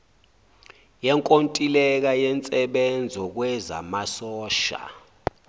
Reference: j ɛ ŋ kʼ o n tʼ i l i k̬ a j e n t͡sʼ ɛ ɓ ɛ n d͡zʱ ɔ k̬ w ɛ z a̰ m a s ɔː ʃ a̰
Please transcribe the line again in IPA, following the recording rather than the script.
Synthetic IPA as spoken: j ɛ ŋ kʼ o n tʼ i l ɛ k̬ a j ɛ n t͡sʼ ɛ ɓ ɛ n d͡zʱ ɔ k̬ w ɛ z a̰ m a s ɔː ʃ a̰